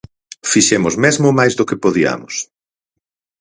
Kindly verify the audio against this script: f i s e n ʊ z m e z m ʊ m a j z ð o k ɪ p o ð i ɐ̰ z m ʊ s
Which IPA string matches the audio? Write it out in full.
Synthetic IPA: f i ʃ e m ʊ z m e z m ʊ m a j z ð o k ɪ p o ð i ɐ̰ m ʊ s